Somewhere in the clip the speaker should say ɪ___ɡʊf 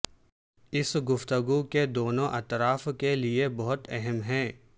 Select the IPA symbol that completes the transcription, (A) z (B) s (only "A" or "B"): B